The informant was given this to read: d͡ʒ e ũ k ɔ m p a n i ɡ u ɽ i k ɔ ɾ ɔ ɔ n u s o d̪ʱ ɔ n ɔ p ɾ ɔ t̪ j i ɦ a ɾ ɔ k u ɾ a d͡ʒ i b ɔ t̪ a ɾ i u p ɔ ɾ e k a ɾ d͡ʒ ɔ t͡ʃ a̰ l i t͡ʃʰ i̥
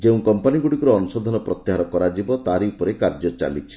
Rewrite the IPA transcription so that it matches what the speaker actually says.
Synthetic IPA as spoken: d͡ʒ e ũ k ɔ m p a n i ɡ u ɽ i k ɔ ɾ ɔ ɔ n u s ɔ d̪ʱ ɔ n ɔ p ɾ ɔ t̪ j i ɦ a ɾ ɔ k ɔ ɾ a d͡ʒ i b ɔ t̪ a ɾ i u p ɔ ɾ e k a ɾ d͡ʒ ɔ t͡ʃ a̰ l i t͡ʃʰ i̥